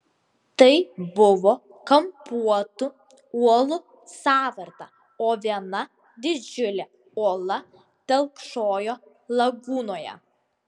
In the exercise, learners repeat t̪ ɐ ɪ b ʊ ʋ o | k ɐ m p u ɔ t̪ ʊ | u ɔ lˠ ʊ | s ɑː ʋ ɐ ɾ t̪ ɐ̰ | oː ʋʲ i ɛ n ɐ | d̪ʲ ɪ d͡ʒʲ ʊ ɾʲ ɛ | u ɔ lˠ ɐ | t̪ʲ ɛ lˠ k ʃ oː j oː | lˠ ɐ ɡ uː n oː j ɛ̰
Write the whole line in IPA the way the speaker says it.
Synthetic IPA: t̪ ɐ ɪ b ʊ ʋ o | k ɐ m p u ɔ t̪ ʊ | u ɔ lˠ ʊ | s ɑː ʋ ɐ ɾ t̪ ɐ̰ | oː ʋʲ i ɛ n ɐ | d̪ʲ ɪ d͡ʒʲ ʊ lʲ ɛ | u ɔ lˠ ɐ | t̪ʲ ɛ lˠ k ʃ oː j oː | lˠ ɐ ɡ uː n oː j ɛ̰